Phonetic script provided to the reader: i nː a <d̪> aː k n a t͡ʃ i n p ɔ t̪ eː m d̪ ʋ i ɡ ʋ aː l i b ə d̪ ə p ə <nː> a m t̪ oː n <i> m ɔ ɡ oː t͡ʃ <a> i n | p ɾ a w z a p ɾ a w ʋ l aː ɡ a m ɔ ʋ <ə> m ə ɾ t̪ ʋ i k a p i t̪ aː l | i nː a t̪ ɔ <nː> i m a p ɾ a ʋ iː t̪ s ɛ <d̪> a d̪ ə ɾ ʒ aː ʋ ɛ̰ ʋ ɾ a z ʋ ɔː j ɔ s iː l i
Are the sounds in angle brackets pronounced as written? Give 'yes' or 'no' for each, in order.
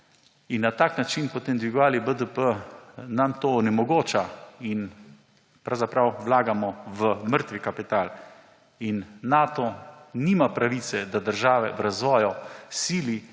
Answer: no, no, no, yes, yes, no, yes

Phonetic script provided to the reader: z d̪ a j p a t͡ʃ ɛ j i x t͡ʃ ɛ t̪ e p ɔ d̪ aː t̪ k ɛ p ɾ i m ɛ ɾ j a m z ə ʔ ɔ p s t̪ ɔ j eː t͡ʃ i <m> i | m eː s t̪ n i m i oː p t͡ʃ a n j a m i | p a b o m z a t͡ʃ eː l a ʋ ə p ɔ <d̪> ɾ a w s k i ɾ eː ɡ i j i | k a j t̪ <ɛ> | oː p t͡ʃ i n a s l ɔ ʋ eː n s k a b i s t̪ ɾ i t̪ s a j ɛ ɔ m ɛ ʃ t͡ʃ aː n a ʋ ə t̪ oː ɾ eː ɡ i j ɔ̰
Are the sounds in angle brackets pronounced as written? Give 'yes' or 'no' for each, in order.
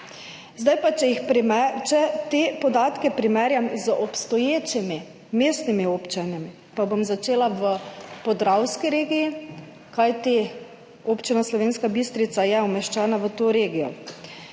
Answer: yes, yes, no

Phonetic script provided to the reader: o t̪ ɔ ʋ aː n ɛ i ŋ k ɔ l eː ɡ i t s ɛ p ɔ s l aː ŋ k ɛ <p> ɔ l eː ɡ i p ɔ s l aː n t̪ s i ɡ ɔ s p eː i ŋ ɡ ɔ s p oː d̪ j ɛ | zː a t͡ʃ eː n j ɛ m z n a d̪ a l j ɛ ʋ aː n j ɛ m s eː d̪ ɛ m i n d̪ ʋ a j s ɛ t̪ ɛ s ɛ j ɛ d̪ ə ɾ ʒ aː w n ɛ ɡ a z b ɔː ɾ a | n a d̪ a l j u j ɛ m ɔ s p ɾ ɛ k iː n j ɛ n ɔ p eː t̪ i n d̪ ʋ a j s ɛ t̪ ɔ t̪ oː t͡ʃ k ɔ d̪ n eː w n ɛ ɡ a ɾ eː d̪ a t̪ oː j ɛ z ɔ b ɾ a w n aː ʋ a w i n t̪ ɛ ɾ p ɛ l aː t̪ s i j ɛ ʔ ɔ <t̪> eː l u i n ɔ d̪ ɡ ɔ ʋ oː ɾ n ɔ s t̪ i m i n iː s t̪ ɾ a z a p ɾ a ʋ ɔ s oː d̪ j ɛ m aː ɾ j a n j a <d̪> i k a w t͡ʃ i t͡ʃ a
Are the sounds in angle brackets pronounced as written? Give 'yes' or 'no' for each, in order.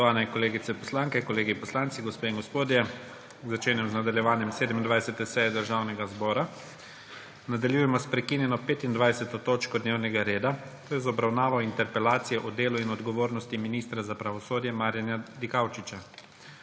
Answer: no, no, yes

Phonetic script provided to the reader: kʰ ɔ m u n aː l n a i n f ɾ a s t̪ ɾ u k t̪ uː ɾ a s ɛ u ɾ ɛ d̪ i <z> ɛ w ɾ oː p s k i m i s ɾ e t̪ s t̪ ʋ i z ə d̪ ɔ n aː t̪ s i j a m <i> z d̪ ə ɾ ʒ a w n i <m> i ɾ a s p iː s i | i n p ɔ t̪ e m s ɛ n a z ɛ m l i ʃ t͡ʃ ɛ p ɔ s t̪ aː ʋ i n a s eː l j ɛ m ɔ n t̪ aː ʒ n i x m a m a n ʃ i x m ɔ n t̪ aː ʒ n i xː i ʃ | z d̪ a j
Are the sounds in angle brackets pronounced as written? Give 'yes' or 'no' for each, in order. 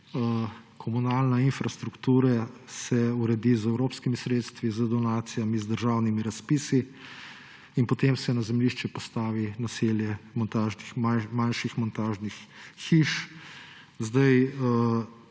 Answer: yes, yes, yes

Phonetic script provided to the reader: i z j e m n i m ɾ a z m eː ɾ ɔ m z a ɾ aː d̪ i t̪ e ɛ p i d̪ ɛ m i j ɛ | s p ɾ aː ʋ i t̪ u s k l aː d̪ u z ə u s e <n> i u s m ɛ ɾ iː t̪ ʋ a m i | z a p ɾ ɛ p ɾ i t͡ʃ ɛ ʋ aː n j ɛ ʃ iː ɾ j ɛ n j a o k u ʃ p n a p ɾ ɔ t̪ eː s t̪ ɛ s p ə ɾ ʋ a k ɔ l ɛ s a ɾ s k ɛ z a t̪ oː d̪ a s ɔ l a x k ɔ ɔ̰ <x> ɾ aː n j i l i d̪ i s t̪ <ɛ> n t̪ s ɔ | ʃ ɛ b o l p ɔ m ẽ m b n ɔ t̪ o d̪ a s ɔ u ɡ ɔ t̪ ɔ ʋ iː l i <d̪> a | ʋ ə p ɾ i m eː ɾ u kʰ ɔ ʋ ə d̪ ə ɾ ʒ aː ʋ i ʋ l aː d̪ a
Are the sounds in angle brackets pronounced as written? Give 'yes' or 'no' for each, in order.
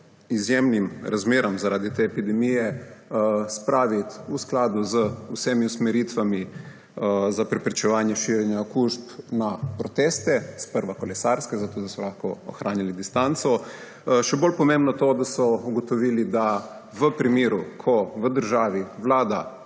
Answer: no, yes, no, yes

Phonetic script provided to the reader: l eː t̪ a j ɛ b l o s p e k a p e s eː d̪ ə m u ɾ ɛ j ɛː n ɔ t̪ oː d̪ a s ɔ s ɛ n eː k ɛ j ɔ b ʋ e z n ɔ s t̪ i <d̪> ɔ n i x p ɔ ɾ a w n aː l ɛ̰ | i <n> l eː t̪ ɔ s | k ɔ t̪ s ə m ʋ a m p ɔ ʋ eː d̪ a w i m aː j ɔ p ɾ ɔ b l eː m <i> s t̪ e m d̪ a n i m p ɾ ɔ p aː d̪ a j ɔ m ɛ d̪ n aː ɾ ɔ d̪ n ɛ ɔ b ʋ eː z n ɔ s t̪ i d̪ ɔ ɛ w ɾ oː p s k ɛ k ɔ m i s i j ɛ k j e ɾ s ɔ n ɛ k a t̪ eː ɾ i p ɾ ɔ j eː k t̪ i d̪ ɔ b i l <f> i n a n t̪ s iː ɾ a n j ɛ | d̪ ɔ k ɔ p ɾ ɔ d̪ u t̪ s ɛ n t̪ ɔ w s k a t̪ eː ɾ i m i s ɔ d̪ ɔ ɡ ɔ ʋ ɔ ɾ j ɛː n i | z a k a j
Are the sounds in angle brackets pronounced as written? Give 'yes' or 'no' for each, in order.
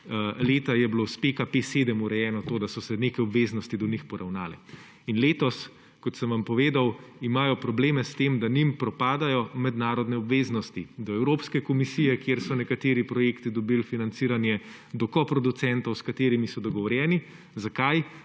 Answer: yes, yes, no, yes

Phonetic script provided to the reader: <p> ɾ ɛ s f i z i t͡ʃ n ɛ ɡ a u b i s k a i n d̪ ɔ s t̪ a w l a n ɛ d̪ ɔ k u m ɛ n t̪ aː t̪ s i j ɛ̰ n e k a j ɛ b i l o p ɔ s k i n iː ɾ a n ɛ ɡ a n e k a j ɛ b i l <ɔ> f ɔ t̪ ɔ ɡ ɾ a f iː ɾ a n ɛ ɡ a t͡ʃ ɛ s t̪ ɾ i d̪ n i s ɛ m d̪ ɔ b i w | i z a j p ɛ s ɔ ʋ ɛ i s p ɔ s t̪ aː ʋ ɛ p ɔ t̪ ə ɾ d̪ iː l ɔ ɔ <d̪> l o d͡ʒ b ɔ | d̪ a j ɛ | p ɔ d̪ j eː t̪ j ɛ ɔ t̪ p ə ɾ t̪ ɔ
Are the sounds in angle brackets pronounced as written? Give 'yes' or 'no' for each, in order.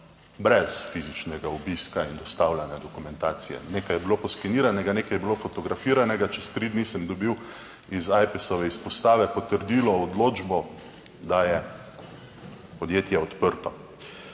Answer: no, no, yes

